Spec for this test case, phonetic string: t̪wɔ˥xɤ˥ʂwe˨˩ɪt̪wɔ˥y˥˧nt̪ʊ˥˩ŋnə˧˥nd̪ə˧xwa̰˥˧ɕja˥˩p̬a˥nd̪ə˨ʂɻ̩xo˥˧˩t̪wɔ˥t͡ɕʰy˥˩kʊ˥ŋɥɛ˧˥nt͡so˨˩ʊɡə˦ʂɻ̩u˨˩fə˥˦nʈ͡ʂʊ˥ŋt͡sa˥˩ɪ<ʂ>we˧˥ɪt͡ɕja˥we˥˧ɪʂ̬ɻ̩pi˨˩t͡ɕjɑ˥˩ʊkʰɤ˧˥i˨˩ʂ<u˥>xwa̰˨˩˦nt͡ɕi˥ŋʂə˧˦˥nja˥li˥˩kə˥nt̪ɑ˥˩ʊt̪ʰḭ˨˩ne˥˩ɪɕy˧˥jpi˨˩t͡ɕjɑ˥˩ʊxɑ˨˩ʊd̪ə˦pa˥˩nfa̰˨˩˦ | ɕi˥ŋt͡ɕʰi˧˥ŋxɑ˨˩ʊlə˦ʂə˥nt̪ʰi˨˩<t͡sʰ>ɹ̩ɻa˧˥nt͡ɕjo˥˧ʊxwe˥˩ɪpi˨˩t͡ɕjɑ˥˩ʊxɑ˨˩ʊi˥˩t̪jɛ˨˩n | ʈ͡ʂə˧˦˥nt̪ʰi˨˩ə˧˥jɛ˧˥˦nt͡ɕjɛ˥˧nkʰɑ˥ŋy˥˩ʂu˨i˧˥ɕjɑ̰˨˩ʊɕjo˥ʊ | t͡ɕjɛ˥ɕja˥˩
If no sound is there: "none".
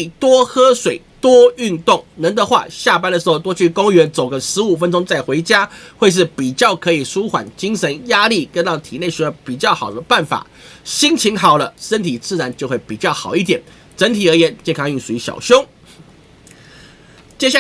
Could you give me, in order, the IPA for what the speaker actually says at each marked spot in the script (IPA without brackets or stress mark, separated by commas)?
x, u˥, t͡s